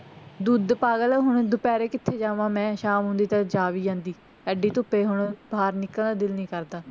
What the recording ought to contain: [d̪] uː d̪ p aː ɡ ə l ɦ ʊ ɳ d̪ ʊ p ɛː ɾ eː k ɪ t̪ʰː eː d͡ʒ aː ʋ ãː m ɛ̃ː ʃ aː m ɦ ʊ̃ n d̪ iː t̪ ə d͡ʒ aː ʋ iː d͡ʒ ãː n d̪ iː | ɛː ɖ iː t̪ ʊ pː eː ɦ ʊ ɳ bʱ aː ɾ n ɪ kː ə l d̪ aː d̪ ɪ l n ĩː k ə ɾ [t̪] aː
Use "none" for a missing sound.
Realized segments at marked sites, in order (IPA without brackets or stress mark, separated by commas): d̪, d̪